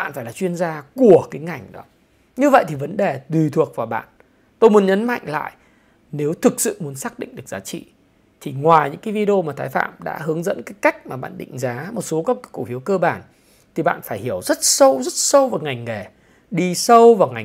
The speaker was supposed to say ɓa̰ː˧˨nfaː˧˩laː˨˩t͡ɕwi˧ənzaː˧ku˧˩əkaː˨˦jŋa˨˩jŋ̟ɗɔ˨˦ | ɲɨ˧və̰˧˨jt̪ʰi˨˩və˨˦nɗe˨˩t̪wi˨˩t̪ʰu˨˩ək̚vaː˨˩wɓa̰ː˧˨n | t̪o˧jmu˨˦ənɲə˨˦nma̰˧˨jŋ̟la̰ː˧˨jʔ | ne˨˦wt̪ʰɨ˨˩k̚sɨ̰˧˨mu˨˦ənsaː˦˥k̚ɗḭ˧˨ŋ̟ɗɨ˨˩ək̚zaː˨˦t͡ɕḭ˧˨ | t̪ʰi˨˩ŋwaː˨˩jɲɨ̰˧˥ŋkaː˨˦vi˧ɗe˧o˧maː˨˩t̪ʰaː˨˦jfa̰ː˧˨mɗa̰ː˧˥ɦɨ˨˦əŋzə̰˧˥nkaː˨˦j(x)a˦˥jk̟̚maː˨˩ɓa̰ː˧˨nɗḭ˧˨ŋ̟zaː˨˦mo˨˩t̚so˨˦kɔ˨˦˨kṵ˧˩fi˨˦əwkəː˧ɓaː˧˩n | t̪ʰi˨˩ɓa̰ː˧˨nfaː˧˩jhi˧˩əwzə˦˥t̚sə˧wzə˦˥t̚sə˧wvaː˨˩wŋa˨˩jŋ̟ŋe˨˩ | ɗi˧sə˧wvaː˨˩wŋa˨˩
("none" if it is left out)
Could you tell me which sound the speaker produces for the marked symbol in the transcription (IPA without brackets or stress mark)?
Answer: k